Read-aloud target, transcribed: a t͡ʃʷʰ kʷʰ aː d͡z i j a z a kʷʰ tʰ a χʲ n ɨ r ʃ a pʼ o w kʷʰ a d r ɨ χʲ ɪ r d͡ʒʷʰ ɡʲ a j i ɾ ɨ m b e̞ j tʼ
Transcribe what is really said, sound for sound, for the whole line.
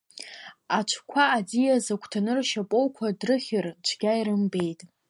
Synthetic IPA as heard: a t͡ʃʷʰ kʷʰ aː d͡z i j a z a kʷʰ tʰ a n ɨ r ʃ a pʼ o w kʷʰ a d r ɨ χʲ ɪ r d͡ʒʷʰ ɡʲ a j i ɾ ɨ m b e̞ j tʼ